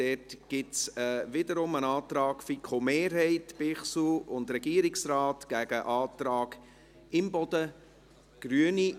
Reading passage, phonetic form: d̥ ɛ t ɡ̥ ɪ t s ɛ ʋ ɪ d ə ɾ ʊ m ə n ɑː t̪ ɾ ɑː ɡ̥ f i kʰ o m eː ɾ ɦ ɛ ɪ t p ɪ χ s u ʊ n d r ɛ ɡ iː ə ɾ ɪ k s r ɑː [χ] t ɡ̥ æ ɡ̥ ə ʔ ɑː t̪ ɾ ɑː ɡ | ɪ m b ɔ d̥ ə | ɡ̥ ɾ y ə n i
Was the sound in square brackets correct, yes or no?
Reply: no